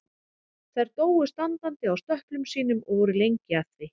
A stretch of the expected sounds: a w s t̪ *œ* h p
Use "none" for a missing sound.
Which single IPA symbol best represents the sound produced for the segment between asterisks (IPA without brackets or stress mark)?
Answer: œ